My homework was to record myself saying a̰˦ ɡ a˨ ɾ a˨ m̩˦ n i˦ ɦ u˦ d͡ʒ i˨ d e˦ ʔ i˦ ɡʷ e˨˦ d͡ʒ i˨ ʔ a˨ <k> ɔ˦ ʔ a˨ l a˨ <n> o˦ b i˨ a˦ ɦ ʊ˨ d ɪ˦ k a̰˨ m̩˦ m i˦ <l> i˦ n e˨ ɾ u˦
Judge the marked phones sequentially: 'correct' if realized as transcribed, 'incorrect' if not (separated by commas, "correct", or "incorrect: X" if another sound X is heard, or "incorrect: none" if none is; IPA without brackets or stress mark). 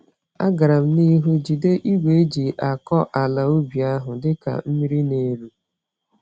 correct, incorrect: none, incorrect: ɾ